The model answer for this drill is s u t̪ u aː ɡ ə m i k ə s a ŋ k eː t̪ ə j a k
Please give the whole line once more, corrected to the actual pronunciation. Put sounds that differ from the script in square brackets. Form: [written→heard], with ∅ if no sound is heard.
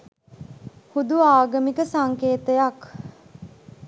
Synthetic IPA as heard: [s→h] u [t̪→d̪] u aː ɡ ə m i k ə s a ŋ k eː t̪ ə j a k

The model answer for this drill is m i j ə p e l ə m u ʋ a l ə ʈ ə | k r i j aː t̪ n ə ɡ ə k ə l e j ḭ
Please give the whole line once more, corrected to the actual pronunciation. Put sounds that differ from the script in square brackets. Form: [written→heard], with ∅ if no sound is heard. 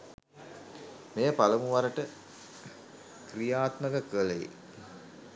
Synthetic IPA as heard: m [i→e] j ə p [e→a] l ə m u ʋ a [l→ɾ] ə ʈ ə | k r i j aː t̪ [n→m] ə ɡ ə k ə l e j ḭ

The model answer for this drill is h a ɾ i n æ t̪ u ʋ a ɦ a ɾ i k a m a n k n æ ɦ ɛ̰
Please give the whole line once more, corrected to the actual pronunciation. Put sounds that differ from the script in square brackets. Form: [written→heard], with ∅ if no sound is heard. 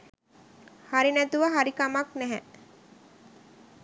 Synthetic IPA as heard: h a ɾ i n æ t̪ u ʋ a ɦ a ɾ i k a m a [n→∅] k n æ ɦ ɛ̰

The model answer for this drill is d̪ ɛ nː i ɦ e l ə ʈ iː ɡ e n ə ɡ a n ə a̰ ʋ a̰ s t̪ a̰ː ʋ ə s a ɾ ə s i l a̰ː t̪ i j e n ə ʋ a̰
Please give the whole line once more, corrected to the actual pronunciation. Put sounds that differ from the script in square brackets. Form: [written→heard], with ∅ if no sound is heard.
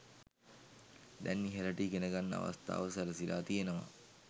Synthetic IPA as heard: d̪ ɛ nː i ɦ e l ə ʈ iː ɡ e n ə ɡ a [n→nː] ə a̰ ʋ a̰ s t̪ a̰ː ʋ ə s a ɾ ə s i l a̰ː t̪ i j e n ə ʋ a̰

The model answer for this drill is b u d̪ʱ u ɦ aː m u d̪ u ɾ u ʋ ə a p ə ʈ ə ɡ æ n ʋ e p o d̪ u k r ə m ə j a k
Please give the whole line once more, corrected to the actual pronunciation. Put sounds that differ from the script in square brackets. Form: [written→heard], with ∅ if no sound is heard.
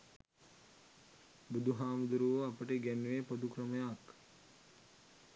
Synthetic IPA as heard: b u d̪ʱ u ɦ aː m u d̪ u ɾ u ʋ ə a p ə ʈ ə ɡ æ n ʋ e p o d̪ u k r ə m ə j a k

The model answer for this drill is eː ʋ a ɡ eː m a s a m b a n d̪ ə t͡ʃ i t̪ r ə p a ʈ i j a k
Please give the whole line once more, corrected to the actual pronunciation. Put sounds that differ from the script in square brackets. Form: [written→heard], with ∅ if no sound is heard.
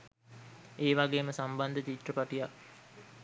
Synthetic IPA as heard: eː ʋ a ɡ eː m [a→ə] s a m b a n d̪ ə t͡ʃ i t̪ r ə p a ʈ i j a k

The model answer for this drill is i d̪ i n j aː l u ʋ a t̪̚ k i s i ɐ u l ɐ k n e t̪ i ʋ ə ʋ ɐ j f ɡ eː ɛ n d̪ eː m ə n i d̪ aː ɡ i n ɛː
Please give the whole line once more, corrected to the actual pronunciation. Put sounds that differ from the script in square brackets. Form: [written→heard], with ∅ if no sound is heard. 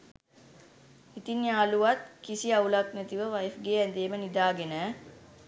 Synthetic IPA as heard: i [d̪→t̪] i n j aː l u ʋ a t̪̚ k i s i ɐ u l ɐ k n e t̪ i ʋ ə ʋ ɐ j f ɡ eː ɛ n d̪ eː m ə n i d̪ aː ɡ [i→e] n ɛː

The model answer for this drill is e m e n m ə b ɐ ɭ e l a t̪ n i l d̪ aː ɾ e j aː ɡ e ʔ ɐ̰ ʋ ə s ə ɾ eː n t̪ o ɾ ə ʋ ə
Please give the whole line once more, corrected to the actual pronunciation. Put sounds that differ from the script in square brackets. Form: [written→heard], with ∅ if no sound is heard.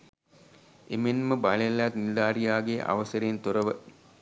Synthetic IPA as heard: e m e n m ə b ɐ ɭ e l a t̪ n i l d̪ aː ɾ [e→i] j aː ɡ e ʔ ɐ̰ ʋ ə s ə ɾ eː n t̪ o ɾ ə ʋ ə

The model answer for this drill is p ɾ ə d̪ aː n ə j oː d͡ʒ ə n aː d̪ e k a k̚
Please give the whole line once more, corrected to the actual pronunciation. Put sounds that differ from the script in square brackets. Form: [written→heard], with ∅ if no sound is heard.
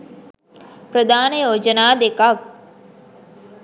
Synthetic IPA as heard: p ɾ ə d̪ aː n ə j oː d͡ʒ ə n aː d̪ e k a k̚

